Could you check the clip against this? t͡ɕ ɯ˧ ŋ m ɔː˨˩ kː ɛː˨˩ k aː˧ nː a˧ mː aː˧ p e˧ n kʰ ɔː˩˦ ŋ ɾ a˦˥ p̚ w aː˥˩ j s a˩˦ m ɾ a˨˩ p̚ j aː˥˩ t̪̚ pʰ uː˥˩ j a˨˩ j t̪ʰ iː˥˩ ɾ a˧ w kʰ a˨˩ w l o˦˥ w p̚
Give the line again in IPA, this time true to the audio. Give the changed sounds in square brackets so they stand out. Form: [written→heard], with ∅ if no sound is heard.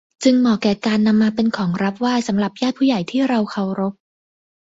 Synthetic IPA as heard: t͡ɕ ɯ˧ ŋ m ɔː˨˩ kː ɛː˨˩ k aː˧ nː a˧ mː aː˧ p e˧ n kʰ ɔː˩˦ ŋ ɾ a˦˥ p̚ w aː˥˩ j s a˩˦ m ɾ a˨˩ p̚ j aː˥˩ t̪̚ pʰ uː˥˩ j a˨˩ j t̪ʰ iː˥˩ ɾ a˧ w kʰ a˨˩ w [l→ɾ] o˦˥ [w→∅] p̚